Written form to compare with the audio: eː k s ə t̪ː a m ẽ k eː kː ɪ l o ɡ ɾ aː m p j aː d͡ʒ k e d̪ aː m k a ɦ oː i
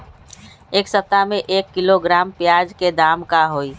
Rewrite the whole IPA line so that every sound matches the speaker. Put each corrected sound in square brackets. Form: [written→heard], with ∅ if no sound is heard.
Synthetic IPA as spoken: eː k s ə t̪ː a m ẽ [k→ʔ] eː kː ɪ l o ɡ ɾ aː m p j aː d͡ʒ k e d̪ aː m k a ɦ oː i